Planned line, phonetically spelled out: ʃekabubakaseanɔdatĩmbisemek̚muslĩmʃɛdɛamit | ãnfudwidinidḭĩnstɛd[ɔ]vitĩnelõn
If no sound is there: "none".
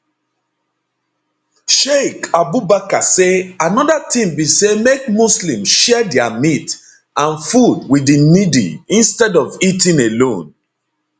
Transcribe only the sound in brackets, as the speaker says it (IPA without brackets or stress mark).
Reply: ɔ